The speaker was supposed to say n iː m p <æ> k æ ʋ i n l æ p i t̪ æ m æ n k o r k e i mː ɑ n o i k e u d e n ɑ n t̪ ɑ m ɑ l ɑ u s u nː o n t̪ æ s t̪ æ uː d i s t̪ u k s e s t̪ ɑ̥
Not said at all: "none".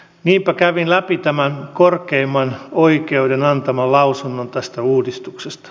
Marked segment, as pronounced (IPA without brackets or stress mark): æ